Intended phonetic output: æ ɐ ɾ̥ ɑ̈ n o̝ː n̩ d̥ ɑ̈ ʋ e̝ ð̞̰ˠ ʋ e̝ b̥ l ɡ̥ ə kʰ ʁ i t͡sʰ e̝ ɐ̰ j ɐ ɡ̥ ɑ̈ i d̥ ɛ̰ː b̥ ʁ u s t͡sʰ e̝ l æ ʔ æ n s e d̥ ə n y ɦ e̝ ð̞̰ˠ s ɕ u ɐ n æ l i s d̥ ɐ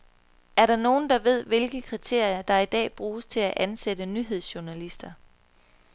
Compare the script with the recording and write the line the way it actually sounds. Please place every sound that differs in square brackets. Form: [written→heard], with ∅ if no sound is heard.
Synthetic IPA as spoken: æ ɐ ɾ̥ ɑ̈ n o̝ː n̩ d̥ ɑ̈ ʋ e̝ ð̞̰ˠ ʋ e̝ [b̥→∅] l ɡ̥ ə kʰ ʁ i t͡sʰ e̝ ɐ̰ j ɐ [ɡ̥→d̥] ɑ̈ i d̥ ɛ̰ː b̥ ʁ [u→uː] s t͡sʰ e̝ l æ ʔ æ n s e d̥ ə n y ɦ e̝ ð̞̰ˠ s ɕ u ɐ n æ l i s d̥ ɐ